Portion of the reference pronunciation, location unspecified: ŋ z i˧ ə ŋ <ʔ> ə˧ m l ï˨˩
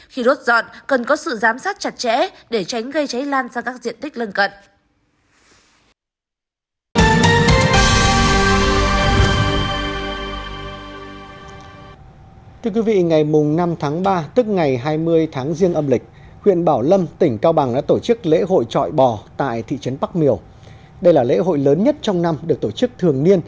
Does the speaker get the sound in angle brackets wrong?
no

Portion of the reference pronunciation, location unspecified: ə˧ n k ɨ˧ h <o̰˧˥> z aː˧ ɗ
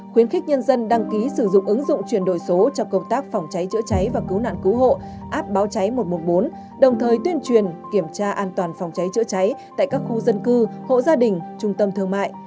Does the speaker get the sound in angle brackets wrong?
yes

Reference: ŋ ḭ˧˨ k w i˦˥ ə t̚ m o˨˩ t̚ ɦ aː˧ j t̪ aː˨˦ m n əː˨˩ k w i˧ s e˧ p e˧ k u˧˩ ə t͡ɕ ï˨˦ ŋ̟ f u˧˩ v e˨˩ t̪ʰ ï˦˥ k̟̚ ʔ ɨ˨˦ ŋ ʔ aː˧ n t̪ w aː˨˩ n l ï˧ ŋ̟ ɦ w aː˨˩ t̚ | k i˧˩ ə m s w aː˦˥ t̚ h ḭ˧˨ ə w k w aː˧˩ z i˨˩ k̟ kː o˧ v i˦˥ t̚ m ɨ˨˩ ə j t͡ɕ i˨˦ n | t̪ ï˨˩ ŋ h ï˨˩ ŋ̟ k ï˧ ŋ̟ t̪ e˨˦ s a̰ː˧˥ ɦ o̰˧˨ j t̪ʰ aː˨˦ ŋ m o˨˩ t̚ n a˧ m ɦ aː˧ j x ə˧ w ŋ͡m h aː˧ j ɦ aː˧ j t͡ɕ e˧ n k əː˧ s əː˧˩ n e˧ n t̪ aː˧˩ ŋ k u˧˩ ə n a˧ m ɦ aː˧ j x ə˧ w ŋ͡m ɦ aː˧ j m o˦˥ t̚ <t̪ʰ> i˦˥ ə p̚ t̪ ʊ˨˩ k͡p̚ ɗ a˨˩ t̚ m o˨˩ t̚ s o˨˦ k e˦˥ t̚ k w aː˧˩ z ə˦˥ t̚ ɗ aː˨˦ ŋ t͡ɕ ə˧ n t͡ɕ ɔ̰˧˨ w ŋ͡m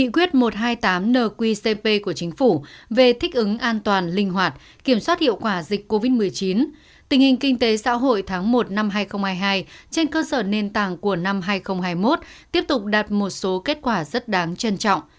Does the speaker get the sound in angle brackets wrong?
yes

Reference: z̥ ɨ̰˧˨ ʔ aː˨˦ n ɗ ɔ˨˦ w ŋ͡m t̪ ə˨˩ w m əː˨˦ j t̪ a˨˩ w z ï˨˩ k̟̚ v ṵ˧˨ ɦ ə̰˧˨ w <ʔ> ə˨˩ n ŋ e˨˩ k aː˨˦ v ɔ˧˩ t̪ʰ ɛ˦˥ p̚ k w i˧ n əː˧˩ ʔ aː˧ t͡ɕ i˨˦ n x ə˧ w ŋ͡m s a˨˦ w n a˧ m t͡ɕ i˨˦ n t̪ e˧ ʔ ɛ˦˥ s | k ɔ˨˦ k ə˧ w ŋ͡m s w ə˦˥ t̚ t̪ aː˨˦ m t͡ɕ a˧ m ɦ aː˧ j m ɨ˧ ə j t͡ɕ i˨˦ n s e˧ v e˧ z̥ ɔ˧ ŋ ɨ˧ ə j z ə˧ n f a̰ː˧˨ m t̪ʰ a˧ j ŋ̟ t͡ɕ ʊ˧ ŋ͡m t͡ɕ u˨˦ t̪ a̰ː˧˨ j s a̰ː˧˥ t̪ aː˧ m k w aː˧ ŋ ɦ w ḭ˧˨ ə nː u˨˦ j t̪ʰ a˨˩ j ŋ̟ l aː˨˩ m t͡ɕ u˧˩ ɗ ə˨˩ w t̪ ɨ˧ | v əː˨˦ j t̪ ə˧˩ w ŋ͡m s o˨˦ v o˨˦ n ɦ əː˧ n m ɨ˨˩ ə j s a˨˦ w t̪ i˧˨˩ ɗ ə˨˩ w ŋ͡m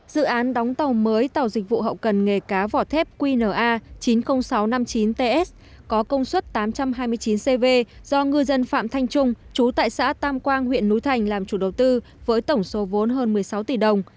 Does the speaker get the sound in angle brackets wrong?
yes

